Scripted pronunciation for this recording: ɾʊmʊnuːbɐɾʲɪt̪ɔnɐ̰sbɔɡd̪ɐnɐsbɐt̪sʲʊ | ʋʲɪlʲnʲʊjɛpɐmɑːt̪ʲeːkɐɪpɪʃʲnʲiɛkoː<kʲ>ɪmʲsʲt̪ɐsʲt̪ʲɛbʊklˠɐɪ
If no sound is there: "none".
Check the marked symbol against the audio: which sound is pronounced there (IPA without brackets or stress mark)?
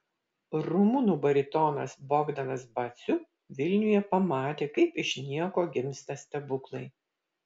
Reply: ɡʲ